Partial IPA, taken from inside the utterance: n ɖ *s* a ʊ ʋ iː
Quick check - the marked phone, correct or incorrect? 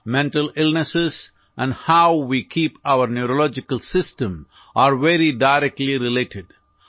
incorrect